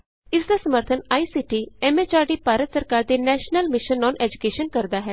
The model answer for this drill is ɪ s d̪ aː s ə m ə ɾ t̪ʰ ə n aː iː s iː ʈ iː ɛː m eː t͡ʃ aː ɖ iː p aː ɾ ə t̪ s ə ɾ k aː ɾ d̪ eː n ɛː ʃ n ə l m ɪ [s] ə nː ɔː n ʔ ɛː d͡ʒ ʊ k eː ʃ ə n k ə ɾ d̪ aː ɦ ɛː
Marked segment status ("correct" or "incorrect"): incorrect